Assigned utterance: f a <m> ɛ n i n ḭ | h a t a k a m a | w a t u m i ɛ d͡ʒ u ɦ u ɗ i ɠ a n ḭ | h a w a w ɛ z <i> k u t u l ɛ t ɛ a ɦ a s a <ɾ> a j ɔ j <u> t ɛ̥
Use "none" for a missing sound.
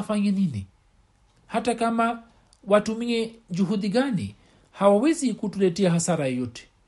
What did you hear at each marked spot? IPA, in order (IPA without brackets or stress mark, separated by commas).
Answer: ɲ, i, ɾ, ɔ